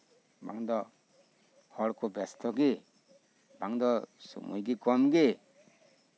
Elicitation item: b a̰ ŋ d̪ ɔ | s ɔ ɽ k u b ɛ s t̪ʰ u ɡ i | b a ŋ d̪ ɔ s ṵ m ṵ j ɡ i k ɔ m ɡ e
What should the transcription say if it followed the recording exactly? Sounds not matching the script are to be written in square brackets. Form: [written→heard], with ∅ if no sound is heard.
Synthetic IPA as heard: b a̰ ŋ d̪ ɔ | [s→h] ɔ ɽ k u b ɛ s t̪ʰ [u→ɔ] ɡ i | b a ŋ d̪ ɔ s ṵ m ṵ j ɡ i k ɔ m ɡ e